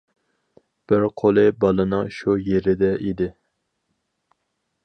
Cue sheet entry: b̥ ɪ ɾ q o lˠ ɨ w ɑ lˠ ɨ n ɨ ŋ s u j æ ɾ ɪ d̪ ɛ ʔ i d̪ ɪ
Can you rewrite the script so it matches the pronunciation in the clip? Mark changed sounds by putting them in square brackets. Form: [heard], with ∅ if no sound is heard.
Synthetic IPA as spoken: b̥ ɪ ɾ [qʰ] o lˠ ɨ [b] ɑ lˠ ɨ n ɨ ŋ [ʃ] u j [e] ɾ ɪ d̪ ɛ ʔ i d̪ ɪ